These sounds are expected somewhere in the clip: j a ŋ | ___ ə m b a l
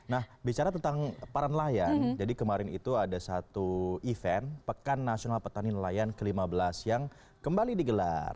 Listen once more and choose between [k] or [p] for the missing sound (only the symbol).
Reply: k